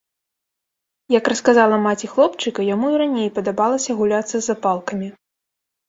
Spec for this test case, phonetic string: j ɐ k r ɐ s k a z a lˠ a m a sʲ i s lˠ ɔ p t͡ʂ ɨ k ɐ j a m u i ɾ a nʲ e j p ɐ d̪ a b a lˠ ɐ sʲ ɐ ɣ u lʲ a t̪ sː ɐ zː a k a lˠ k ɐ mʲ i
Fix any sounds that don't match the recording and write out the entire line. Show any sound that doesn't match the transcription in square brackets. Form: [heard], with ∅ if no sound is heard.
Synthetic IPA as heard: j ɐ k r ɐ s k a z a lˠ [ɐ] m a [t͡sʲ] i [x] lˠ ɔ p t͡ʂ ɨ k ɐ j a m u i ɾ a nʲ e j p ɐ d̪ a b a lˠ ɐ sʲ ɐ ɣ u lʲ a t̪ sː ɐ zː a [p] a lˠ k ɐ mʲ i